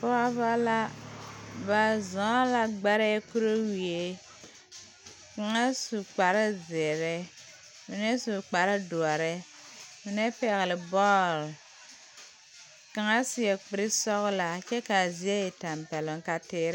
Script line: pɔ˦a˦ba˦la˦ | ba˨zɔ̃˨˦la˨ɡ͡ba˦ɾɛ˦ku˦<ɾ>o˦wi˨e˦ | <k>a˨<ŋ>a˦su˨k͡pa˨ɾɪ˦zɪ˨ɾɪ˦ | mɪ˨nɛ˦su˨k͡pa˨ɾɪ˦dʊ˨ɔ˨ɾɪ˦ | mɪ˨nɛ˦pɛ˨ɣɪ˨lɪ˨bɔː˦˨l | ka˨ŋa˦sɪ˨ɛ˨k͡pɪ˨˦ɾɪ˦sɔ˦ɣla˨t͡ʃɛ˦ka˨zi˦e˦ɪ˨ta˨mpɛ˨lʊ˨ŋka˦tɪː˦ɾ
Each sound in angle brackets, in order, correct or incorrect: correct, correct, correct

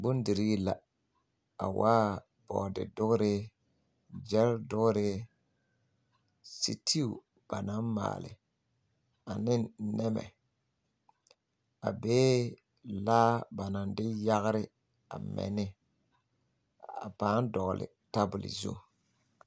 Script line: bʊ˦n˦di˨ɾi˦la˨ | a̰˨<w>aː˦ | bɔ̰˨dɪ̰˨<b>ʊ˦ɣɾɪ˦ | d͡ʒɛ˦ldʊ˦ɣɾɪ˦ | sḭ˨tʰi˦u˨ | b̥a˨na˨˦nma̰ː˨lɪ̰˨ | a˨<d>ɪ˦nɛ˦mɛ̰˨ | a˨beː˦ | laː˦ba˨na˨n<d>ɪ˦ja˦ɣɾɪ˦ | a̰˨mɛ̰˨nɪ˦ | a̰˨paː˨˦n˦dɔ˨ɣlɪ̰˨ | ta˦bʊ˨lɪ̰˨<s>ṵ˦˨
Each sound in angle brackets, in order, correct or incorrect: correct, incorrect: d, incorrect: n, correct, incorrect: z

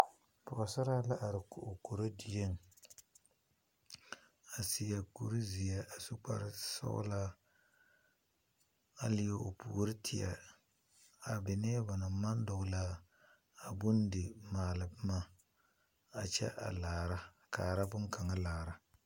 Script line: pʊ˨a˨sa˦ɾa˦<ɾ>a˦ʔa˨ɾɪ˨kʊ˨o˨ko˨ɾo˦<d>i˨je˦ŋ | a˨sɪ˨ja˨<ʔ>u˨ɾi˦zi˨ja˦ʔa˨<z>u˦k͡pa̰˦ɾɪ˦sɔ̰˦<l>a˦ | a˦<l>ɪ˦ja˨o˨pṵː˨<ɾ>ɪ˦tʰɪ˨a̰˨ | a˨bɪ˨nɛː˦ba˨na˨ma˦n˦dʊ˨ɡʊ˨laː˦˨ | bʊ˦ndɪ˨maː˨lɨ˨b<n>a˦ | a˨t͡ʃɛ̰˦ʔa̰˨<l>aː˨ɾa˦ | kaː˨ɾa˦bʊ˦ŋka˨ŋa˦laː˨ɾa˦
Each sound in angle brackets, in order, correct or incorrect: incorrect: l, correct, incorrect: k, incorrect: s, correct, correct, correct, incorrect: m, correct

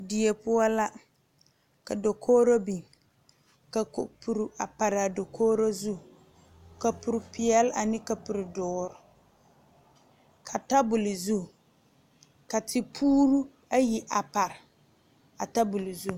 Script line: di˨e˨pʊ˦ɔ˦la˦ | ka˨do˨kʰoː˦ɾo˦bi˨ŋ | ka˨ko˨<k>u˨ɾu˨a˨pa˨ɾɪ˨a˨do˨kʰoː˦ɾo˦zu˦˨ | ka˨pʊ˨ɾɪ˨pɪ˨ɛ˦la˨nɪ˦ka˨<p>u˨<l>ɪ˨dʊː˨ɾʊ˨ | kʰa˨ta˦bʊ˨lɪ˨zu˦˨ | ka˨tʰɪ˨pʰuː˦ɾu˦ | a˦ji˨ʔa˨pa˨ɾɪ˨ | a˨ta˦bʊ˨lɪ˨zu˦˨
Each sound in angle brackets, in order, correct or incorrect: incorrect: p, correct, incorrect: ɾ

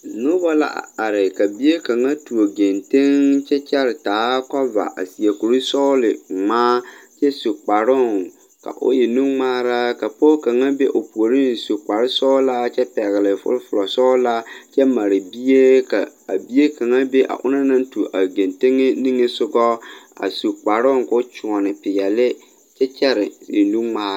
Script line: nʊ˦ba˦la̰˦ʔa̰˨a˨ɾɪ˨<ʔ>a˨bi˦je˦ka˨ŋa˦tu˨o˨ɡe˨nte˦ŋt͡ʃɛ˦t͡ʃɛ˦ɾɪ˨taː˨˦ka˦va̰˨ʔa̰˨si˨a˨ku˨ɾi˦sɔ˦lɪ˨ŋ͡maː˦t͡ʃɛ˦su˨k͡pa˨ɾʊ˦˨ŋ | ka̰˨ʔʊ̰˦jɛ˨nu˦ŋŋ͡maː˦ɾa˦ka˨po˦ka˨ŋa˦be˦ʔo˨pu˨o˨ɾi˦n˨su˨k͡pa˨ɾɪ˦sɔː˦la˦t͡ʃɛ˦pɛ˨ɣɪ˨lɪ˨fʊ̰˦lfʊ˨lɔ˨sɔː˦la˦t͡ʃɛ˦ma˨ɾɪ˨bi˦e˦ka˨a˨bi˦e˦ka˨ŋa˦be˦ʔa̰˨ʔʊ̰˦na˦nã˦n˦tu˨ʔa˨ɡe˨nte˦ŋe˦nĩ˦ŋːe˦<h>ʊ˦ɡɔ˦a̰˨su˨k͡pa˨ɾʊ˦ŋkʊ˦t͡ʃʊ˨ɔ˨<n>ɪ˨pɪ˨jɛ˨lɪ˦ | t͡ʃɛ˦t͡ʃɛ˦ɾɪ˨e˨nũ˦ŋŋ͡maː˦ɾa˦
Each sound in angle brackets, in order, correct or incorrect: incorrect: k, incorrect: s, correct

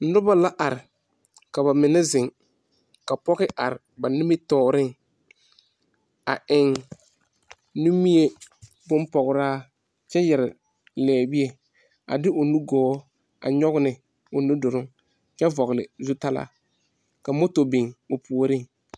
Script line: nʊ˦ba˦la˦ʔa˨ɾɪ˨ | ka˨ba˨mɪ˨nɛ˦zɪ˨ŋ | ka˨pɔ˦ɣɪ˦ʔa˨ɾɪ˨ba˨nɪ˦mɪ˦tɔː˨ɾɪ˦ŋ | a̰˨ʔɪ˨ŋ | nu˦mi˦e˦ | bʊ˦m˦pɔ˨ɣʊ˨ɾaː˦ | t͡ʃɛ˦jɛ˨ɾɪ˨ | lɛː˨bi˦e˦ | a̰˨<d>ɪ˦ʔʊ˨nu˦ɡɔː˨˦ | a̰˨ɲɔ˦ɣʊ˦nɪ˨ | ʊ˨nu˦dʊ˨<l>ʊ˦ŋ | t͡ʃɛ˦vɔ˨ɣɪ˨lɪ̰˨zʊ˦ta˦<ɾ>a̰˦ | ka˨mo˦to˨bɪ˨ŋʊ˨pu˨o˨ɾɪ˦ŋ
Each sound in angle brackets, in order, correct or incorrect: correct, incorrect: ɾ, incorrect: l

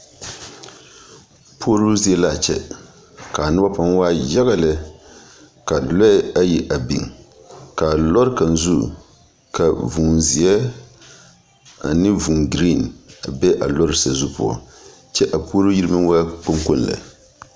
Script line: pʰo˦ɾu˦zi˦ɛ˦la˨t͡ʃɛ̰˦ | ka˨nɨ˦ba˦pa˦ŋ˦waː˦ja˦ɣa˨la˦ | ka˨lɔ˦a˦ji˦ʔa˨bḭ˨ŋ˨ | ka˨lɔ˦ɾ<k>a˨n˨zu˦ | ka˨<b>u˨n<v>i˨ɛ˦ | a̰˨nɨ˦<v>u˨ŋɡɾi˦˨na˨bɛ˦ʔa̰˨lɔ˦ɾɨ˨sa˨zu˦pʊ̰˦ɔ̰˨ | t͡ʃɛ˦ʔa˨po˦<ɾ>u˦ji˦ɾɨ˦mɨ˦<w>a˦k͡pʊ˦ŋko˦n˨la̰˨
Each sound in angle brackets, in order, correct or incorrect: correct, incorrect: v, incorrect: z, correct, correct, correct

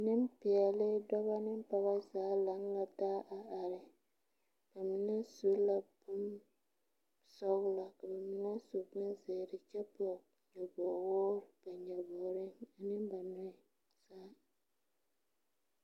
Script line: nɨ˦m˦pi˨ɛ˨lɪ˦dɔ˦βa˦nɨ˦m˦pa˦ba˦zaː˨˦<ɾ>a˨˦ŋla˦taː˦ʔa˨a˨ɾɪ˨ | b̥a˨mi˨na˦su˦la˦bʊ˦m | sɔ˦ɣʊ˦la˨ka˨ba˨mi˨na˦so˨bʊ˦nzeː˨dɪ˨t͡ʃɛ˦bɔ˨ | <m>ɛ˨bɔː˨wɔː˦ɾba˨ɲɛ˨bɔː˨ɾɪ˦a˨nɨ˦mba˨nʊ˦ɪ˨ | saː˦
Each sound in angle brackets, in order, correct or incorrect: incorrect: l, incorrect: ɲ

